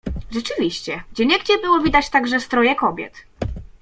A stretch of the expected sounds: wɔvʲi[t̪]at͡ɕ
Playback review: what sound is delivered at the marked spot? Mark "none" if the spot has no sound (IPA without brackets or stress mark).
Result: d̪